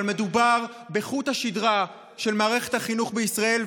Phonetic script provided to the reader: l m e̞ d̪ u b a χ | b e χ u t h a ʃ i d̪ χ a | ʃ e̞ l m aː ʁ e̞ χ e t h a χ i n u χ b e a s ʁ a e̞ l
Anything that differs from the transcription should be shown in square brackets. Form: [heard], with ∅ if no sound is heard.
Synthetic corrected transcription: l m e̞ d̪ u b a [ʁ] | b e χ u t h a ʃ i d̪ [ʁ] a | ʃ e̞ l m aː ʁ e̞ χ e t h a χ i n u χ b e [i] s ʁ a e̞ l